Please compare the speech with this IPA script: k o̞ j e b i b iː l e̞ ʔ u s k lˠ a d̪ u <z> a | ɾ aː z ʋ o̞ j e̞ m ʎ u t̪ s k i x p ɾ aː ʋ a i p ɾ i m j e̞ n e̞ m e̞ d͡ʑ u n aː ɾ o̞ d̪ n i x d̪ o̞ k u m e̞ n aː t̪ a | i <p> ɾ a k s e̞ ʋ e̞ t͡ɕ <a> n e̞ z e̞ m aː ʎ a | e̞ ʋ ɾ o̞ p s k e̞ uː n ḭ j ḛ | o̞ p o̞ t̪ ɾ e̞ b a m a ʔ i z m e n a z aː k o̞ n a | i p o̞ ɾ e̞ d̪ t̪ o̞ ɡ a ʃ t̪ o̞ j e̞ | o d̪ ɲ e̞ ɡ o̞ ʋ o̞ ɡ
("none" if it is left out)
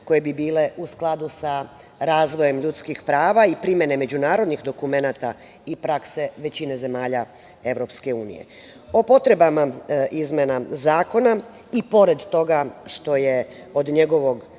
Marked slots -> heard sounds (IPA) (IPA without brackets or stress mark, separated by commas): s, p, i